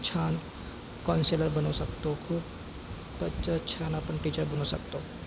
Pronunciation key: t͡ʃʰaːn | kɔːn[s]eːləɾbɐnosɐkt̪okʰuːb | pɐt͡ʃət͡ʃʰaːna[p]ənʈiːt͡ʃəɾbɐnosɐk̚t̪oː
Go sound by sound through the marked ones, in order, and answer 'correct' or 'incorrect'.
correct, correct

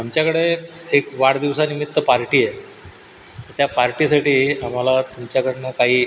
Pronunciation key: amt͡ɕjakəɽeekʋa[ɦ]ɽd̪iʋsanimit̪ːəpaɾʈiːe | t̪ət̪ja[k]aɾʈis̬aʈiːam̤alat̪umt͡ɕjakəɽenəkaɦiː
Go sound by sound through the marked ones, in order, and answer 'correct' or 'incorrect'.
incorrect, incorrect

